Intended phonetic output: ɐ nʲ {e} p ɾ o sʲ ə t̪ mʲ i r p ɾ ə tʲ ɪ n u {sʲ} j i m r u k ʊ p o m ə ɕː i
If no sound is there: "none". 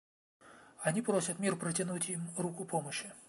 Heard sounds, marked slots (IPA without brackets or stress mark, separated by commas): i, tʲ